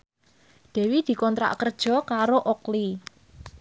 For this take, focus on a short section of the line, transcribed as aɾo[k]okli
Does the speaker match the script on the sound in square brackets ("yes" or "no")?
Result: no